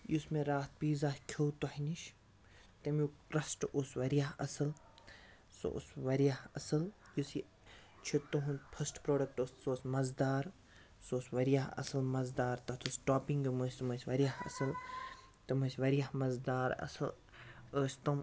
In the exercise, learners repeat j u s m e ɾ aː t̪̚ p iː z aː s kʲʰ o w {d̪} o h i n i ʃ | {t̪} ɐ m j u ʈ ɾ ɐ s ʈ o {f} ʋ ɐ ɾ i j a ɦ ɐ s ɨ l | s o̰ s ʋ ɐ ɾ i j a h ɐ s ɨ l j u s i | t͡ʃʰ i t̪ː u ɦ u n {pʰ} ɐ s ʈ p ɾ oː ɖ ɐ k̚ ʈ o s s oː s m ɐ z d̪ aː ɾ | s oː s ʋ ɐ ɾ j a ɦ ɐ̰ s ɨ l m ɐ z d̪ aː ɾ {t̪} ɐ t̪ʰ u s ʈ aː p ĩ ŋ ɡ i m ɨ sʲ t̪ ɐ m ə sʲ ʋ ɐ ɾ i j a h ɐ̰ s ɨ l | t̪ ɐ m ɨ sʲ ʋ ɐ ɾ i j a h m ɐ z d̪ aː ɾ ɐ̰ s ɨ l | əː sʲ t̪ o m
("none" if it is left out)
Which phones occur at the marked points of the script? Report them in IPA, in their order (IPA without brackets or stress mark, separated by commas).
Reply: t̪, t̪, s, pʰ, t̪